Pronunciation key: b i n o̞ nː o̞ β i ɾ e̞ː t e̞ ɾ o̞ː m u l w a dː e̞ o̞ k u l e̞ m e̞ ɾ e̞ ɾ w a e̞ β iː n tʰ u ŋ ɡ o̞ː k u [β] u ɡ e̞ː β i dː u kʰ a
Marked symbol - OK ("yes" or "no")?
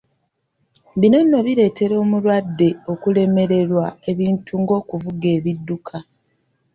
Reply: no